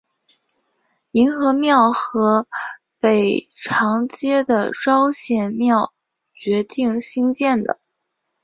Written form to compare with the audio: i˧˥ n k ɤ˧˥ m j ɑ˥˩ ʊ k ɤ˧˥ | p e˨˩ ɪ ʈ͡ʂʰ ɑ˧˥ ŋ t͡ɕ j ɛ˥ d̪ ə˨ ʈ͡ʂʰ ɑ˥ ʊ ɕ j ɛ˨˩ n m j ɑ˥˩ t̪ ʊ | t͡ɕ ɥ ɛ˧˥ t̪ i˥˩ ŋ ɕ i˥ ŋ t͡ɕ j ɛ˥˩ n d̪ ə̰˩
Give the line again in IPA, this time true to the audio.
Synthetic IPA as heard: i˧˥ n x ɤ˧˥ m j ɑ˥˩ ʊ x ɤ˧˥ | p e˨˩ ɪ ʈ͡ʂʰ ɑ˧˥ ŋ t͡ɕ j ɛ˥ d̪ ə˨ ʈ͡ʂ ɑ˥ ʊ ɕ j ɛ˨˩ n m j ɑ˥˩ ʊ | t͡ɕ ɥ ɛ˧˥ t̪ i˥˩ ŋ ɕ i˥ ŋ t͡ɕ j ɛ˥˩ n d̪ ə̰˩